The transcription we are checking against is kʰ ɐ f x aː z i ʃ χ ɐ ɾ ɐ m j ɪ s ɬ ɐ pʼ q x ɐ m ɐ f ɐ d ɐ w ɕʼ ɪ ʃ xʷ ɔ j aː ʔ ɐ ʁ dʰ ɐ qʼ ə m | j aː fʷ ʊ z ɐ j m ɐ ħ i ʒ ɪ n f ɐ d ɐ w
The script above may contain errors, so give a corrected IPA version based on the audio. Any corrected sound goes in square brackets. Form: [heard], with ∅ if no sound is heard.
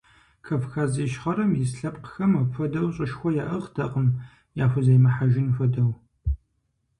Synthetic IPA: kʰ ɐ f x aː z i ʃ χ ɐ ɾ ɐ m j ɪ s ɬ ɐ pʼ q x ɐ m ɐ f ɐ d ɐ w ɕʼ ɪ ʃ xʷ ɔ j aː ʔ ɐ ʁ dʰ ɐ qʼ ə m | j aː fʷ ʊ z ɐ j m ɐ ħ [a] ʒ ɪ n f ɐ d ɐ w